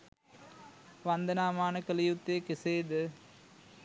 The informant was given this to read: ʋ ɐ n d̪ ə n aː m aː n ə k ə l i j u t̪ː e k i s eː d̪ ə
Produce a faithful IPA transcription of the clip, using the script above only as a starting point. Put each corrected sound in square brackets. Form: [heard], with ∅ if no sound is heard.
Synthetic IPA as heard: ʋ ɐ n d̪ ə n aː m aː n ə k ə l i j u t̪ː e k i s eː d̪ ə